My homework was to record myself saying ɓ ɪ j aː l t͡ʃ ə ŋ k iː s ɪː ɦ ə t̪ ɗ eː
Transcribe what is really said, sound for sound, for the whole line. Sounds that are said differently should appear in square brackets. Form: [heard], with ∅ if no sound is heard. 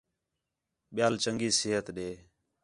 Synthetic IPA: ɓ ɪ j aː l t͡ʃ ə ŋ [ɡ] iː s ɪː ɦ ə t̪ ɗ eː

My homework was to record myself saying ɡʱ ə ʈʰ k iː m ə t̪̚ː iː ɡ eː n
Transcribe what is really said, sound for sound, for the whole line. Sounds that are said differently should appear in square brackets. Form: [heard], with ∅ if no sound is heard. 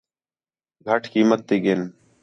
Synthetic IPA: ɡʱ ə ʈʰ k iː m ə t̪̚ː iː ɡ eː n

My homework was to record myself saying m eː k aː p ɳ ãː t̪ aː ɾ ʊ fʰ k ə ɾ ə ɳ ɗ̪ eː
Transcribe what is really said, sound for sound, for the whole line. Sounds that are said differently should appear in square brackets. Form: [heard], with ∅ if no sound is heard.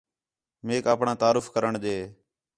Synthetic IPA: m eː k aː p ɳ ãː t̪ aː ɾ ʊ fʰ k ə ɾ ə ɳ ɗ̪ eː

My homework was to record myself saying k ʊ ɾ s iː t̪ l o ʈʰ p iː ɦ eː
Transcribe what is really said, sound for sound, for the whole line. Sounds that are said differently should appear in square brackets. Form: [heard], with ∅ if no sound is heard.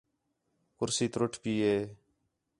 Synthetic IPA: k ʊ ɾ s iː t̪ [ɾ] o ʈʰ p iː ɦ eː

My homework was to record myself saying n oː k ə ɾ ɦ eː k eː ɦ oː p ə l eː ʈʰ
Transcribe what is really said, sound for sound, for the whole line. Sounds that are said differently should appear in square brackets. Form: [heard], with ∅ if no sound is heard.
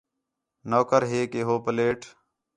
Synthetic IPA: n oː k ə ɾ ɦ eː k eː ɦ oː p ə l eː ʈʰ

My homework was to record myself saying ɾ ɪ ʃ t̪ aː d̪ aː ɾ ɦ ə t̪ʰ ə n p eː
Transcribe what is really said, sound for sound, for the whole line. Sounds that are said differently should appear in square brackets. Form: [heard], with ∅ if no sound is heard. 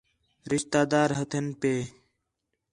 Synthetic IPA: ɾ ɪ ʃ t̪ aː d̪ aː ɾ ɦ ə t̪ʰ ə n p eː

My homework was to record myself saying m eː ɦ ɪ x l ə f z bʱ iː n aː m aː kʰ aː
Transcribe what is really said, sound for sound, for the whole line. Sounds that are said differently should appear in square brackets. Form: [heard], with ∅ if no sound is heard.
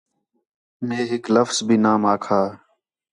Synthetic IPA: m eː ɦ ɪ [k] l ə f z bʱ iː n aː m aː kʰ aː

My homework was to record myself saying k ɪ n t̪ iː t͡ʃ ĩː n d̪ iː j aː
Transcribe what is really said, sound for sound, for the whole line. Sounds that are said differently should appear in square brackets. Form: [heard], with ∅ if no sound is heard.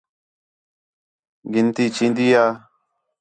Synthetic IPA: [ɡ] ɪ n t̪ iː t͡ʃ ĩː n d̪ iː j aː

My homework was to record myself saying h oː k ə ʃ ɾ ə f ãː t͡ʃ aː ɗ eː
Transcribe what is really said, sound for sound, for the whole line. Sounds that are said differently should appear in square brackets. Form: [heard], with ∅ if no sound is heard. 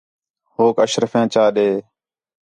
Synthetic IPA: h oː k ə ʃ ɾ ə f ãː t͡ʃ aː ɗ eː

